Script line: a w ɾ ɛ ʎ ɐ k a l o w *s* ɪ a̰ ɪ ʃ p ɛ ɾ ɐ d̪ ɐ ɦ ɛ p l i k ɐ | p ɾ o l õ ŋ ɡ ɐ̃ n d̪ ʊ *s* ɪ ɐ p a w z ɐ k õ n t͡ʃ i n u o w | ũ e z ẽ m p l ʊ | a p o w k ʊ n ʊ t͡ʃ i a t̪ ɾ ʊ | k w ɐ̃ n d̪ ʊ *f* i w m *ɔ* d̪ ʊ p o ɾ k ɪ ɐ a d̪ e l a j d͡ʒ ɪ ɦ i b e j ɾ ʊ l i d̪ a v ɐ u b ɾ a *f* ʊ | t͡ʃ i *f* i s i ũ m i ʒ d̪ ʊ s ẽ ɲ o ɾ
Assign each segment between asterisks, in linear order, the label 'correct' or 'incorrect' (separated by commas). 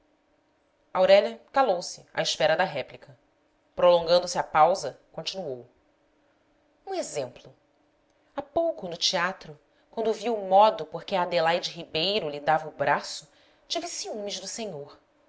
correct, correct, incorrect, correct, incorrect, incorrect